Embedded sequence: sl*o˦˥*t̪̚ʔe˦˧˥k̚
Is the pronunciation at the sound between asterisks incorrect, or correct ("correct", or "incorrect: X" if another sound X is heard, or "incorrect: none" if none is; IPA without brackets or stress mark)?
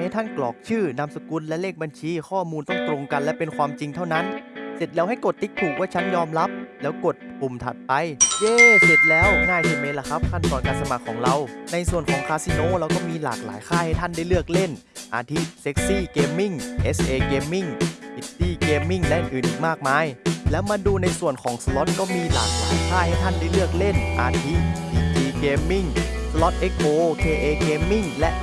incorrect: ɔ˦˥